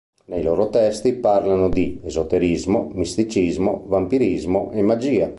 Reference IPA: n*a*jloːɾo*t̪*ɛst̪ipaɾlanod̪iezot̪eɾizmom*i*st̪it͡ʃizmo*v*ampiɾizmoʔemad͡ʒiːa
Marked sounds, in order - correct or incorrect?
incorrect: e, correct, correct, correct

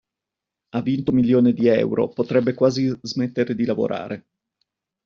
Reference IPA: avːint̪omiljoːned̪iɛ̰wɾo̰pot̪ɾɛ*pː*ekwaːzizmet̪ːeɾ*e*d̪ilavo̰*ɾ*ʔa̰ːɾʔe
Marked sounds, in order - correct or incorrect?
incorrect: bː, correct, correct

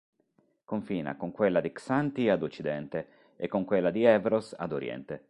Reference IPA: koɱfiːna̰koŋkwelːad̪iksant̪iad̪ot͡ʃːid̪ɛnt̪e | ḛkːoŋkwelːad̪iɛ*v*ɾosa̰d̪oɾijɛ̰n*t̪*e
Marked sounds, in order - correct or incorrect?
correct, correct

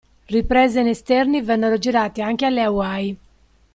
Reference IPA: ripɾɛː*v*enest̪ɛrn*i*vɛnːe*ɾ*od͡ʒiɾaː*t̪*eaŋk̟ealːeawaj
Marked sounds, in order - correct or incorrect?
incorrect: z, correct, correct, correct

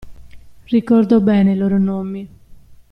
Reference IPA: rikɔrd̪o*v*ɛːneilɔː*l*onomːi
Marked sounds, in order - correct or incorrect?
incorrect: b, incorrect: ɾ

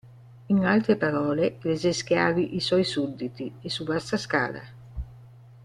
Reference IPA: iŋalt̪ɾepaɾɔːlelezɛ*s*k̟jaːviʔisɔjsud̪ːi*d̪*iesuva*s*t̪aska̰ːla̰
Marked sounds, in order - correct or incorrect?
correct, incorrect: t̪, correct

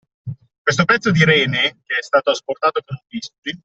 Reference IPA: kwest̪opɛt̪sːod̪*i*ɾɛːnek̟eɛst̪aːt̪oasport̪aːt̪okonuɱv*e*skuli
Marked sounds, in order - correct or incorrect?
correct, incorrect: i

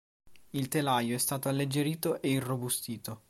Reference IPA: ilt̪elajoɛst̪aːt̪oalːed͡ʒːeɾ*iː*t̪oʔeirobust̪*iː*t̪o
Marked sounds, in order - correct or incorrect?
correct, correct

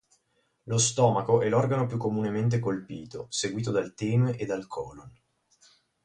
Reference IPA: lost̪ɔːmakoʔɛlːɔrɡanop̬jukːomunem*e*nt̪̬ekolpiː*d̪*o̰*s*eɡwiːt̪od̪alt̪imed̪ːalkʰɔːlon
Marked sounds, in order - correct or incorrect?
correct, incorrect: t̪, correct

